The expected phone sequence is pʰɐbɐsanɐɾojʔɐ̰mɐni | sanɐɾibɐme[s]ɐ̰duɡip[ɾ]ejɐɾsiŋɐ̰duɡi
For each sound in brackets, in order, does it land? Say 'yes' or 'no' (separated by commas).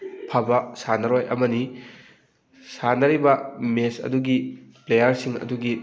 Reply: yes, no